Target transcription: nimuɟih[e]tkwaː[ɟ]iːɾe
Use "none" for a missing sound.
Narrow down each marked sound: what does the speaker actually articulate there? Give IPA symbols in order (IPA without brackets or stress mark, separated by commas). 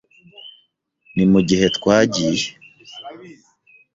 e, ɟ